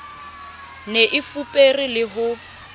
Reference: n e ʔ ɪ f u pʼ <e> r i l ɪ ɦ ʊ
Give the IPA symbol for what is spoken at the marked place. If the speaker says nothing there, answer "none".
e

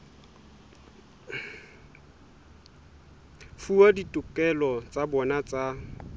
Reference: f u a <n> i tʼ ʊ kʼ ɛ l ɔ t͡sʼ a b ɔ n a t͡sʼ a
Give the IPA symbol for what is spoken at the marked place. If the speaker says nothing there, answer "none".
d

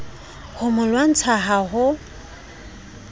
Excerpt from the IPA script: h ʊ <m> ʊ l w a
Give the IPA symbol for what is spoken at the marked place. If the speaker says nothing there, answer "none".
m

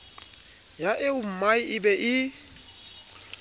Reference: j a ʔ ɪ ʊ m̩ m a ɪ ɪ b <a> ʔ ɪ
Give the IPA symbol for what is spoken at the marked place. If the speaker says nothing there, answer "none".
ɛ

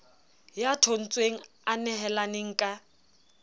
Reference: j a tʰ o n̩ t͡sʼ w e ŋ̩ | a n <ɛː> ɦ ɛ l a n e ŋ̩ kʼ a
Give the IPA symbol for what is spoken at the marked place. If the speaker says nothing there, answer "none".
ɛ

